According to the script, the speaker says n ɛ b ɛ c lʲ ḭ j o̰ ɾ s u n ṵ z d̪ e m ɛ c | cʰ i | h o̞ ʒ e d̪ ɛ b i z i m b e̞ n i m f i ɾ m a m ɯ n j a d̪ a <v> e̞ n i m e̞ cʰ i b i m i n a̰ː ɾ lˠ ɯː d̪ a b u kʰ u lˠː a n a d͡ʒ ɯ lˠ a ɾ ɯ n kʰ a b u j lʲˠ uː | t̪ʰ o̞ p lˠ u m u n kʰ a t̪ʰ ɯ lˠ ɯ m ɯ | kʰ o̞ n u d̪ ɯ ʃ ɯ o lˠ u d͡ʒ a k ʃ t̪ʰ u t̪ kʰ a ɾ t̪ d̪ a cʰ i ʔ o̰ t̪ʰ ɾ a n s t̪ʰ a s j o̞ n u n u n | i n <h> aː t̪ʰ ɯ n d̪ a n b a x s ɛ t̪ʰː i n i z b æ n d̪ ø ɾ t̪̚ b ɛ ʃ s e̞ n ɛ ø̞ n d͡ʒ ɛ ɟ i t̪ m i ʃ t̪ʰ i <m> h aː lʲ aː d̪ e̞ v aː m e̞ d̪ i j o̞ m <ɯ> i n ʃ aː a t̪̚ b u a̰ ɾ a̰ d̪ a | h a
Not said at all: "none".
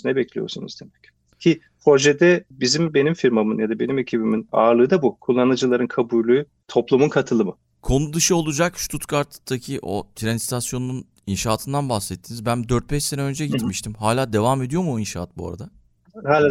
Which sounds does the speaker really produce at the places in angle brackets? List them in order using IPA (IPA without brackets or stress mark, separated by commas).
b, ʃ, m, u